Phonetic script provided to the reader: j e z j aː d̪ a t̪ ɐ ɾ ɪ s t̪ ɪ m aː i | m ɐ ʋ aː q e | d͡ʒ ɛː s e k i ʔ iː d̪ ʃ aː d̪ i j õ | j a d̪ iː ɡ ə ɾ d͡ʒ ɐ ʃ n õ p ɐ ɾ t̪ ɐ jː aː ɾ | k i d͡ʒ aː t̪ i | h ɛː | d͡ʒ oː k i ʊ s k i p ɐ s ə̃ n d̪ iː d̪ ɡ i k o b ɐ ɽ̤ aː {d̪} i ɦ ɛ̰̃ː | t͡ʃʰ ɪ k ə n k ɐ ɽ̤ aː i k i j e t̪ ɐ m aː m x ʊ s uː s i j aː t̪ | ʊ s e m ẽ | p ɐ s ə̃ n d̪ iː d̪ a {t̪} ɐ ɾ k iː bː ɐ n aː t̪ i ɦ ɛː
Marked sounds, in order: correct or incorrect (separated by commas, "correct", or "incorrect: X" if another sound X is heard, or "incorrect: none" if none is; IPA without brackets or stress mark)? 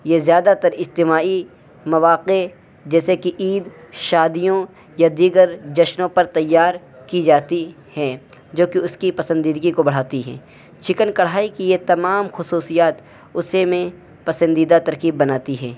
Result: incorrect: t̪, correct